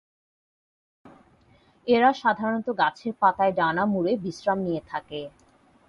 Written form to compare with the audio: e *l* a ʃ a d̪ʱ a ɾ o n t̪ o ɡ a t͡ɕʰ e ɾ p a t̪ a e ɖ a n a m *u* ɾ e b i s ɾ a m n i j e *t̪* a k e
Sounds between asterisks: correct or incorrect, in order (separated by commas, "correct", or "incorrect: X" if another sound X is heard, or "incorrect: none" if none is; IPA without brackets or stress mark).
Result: incorrect: ɾ, correct, incorrect: t̪ʰ